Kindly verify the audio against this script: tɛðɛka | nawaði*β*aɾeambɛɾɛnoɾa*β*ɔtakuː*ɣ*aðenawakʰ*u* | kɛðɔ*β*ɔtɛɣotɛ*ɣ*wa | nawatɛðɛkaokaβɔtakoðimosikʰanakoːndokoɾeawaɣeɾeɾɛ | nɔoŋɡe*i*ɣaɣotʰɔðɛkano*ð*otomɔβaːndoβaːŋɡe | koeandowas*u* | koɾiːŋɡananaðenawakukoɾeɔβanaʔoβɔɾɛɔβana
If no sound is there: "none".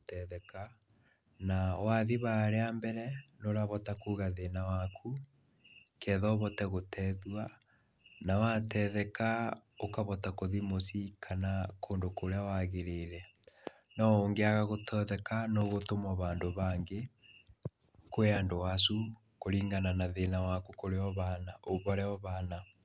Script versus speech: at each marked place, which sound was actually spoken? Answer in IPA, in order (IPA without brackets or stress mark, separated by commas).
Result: β, β, ɣ, u, β, ð, a, ɣ, u